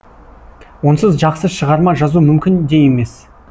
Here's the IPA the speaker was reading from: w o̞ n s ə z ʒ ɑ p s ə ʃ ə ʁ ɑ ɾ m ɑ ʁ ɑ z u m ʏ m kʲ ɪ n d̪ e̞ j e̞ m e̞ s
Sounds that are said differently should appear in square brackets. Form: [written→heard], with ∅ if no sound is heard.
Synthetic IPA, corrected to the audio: w o̞ n s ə z ʒ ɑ [p→q] s ə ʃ ə ʁ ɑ ɾ m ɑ [ʁ→ʒ] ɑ z u m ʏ m kʲ ɪ n d̪ e̞ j e̞ m e̞ s

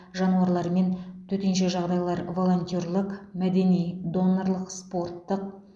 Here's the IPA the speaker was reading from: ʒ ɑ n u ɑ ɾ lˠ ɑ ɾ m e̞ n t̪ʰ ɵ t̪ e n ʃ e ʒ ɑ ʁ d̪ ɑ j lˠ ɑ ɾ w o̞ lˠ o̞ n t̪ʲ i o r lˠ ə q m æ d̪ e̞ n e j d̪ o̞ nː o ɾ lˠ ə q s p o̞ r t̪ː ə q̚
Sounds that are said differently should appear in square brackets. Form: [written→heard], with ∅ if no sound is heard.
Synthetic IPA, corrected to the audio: ʒ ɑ n u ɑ ɾ lˠ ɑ ɾ m e̞ n t̪ʰ ɵ t̪ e n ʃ e ʒ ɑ ʁ d̪ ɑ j lˠ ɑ ɾ [w→v] o̞ lˠ o̞ n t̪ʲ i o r lˠ ə q m æ d̪ e̞ n [e→i] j d̪ o̞ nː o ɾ lˠ ə q s p o̞ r t̪ː ə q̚

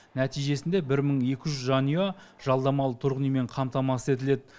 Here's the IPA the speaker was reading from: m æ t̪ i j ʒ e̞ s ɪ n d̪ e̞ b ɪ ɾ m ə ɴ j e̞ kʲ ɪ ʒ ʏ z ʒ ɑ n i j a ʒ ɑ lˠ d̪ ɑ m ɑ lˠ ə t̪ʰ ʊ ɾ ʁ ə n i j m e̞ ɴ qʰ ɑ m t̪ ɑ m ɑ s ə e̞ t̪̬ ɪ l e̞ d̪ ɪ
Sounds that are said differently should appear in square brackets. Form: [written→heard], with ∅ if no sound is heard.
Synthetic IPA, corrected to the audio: [m→n] æ t̪ i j ʒ e̞ s ɪ n d̪ e̞ b ɪ ɾ m ə ɴ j e̞ kʲ ɪ ʒ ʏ z ʒ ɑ n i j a ʒ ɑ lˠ d̪ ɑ m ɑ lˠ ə t̪ʰ ʊ ɾ ʁ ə n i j m e̞ ɴ qʰ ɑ m t̪ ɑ m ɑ s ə e̞ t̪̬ ɪ l e̞ d̪ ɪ

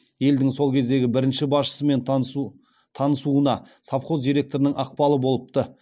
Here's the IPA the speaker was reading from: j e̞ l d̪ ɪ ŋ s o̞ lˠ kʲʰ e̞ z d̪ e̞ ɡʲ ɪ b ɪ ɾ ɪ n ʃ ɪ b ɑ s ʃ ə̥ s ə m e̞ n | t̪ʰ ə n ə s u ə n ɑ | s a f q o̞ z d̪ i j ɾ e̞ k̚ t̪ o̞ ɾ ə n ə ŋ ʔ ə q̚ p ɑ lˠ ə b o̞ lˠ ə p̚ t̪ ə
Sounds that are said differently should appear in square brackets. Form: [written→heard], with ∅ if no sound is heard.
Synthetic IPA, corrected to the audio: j e̞ l d̪ ɪ ŋ s o̞ lˠ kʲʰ e̞ z d̪ e̞ ɡʲ ɪ b ɪ ɾ ɪ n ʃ ɪ b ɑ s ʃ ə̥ s ə m e̞ n | t̪ʰ [ə→ɑ] n ə s u ə n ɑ | s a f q o̞ z d̪ i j ɾ e̞ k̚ t̪ o̞ ɾ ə n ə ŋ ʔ [ə→ɑ] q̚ p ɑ lˠ ə b o̞ lˠ ə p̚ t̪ ə

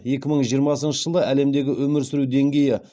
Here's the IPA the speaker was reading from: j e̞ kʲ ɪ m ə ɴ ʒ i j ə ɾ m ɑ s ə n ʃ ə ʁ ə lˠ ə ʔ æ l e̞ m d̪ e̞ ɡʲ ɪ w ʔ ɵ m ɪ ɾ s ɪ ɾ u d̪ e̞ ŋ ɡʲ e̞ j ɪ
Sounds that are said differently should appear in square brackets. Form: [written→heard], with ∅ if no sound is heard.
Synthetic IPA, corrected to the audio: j e̞ kʲ ɪ m ə ɴ ʒ i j ə ɾ m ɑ s ə n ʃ ə [ʁ→ʒ] ə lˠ ə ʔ æ l e̞ m d̪ e̞ ɡʲ ɪ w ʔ ɵ m ɪ ɾ s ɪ ɾ u d̪ e̞ ŋ ɡʲ e̞ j ɪ

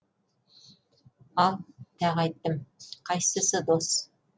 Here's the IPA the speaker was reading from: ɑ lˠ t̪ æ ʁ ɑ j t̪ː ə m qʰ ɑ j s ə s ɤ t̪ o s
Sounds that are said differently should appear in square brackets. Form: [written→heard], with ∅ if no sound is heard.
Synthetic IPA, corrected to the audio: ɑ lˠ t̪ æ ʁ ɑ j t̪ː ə m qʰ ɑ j s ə s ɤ [t̪→d̪] o s

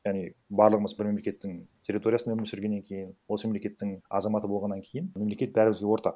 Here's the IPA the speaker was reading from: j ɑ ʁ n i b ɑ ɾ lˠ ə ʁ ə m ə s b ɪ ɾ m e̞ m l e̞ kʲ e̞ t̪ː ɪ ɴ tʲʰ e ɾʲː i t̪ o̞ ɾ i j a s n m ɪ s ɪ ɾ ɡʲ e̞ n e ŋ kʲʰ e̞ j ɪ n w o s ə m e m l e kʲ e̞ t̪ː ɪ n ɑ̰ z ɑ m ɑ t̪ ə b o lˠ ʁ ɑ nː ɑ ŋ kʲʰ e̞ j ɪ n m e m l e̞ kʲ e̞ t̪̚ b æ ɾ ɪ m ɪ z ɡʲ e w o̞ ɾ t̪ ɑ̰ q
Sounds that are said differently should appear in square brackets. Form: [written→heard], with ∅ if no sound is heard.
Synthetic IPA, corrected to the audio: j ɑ ʁ n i b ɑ ɾ lˠ ə ʁ ə m ə [s→z] b ɪ ɾ m e̞ m l e̞ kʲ e̞ t̪ː ɪ [ɴ→ŋ] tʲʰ e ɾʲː i t̪ o̞ ɾ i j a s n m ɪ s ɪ ɾ ɡʲ e̞ [n→nː] e ŋ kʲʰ e̞ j ɪ n w o s ə m e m l e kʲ e̞ t̪ː ɪ [n→ŋ] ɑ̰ z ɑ m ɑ t̪ ə b o lˠ ʁ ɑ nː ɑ ŋ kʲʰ e̞ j ɪ n m e m l e̞ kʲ e̞ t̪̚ b æ ɾ ɪ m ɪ z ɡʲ e w o̞ ɾ t̪ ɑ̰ q

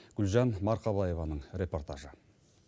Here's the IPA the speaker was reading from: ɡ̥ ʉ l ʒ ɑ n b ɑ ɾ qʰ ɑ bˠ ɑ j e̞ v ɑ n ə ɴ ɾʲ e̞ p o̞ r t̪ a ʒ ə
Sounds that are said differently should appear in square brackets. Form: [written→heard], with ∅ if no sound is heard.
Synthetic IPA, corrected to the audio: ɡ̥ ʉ l ʒ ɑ n [b→m] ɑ ɾ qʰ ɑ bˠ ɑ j e̞ v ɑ n ə ɴ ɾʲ e̞ p o̞ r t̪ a ʒ ə

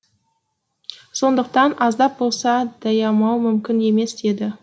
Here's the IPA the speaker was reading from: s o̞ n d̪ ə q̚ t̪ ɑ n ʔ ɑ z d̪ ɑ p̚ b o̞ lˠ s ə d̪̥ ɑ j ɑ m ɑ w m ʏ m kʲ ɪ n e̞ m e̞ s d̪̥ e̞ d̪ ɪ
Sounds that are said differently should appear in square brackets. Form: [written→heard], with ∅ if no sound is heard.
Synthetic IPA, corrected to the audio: s o̞ n d̪ ə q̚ t̪ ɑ n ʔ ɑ z d̪ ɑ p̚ b o̞ lˠ s [ə→ɑ] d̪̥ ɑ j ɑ m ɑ w m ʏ m kʲ ɪ n e̞ m e̞ s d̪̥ e̞ d̪ ɪ

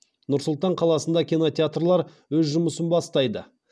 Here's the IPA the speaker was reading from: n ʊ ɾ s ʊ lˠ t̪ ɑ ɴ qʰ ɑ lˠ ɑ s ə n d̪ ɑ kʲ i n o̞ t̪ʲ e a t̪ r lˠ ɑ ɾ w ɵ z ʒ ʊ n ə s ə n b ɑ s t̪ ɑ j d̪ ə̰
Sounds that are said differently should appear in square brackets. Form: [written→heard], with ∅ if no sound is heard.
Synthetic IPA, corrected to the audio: n ʊ ɾ s ʊ lˠ t̪ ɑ ɴ qʰ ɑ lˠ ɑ s ə n d̪ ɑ kʲ i n o̞ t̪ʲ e a t̪ r lˠ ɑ ɾ w ɵ z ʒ ʊ [n→m] ə s ə n b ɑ s t̪ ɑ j d̪ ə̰

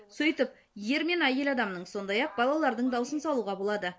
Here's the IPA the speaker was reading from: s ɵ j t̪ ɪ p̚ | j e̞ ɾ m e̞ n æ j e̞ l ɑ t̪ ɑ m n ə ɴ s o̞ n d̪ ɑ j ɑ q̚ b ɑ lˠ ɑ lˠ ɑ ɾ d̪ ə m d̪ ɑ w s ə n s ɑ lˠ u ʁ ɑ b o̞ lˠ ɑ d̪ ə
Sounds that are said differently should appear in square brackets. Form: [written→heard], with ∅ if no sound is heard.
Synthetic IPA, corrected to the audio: s ɵ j t̪ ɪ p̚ | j e̞ ɾ m e̞ n æ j e̞ l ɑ [t̪→d̪] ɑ m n ə ɴ s o̞ n d̪ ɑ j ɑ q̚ b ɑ lˠ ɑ lˠ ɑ ɾ d̪ ə [m→ɴ] d̪ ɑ w s ə n s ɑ lˠ u ʁ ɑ b o̞ lˠ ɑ d̪ ə

